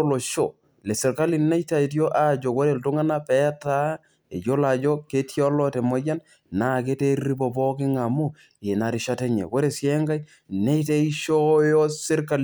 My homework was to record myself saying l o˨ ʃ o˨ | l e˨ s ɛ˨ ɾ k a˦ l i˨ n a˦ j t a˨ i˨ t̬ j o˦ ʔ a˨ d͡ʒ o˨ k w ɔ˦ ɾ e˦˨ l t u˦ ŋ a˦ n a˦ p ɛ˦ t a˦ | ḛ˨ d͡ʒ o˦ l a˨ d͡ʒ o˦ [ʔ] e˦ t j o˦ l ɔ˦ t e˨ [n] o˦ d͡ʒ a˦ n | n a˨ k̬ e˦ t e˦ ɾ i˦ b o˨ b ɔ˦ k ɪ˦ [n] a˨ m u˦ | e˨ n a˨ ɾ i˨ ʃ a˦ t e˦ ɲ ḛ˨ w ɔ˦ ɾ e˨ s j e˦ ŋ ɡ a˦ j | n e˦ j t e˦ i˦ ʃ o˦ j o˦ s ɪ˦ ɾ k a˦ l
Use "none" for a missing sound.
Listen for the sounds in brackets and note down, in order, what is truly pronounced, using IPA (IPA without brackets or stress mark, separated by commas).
k, m, ŋ